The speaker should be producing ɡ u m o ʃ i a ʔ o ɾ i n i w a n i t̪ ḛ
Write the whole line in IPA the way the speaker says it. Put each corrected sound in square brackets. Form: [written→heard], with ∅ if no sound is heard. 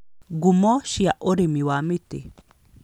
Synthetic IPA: ɡ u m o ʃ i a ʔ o ɾ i [n→m] i w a [n→m] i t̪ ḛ